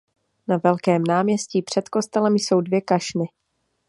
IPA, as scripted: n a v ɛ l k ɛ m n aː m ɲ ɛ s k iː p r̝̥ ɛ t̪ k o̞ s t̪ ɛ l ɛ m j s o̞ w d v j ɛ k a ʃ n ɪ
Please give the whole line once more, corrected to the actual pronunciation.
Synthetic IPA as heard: n a v ɛ l k ɛː m n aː m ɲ ɛ s c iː p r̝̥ ɛ t̪ k o̞ s t̪ ɛ l ɛ m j s o̞ w d v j ɛ k a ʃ n ɪ